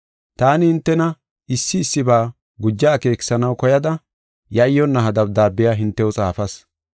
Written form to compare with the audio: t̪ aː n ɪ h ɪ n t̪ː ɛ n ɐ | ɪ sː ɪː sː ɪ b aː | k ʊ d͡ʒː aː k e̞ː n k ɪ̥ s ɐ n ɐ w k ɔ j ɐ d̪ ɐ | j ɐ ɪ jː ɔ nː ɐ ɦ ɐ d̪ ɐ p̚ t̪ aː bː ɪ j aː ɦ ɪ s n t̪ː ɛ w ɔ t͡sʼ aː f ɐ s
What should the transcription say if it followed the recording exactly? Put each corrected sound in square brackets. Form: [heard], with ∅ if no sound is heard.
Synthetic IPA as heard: t̪ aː n ɪ h ɪ n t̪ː ɛ n ɐ | ɪ sː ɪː sː ɪ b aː | [ɡ] ʊ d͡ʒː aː k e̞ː [∅] k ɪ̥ s ɐ n ɐ w k ɔ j ɐ d̪ ɐ | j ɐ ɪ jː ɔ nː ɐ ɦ ɐ d̪ ɐ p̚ [d̪] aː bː ɪ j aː ɦ ɪ [∅] n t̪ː ɛ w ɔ t͡sʼ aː f ɐ s